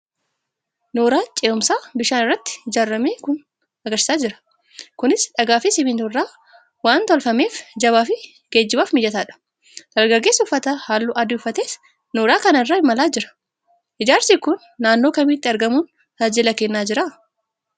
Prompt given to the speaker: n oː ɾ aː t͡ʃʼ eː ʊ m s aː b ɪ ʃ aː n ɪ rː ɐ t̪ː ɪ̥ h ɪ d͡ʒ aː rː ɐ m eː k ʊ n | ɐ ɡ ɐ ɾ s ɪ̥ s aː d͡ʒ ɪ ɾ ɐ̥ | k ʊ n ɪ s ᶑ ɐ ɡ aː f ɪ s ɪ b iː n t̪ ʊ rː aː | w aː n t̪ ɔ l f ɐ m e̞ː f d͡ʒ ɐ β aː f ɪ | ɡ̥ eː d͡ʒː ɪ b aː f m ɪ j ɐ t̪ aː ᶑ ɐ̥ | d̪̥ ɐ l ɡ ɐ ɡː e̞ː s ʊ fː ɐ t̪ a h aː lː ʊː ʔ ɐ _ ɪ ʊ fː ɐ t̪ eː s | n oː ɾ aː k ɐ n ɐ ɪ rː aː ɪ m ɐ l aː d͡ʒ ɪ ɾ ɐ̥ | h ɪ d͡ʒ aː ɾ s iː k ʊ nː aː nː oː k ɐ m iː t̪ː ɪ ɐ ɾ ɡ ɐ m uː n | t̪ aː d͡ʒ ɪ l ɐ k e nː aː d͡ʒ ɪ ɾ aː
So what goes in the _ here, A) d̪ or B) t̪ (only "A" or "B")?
A